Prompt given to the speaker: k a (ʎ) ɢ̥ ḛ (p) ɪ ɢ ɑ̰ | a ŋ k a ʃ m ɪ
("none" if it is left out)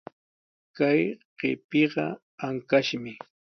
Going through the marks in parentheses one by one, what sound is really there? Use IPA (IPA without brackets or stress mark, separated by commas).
j, p